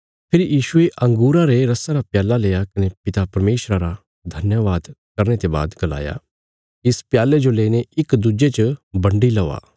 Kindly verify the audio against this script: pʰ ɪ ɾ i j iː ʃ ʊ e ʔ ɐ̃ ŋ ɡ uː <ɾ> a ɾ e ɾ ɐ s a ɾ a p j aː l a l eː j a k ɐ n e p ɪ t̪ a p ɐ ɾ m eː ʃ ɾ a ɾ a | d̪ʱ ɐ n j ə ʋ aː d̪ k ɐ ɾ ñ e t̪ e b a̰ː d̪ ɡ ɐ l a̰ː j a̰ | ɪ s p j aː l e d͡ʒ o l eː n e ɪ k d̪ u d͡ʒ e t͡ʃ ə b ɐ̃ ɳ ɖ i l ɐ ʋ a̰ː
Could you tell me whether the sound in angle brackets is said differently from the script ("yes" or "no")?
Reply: no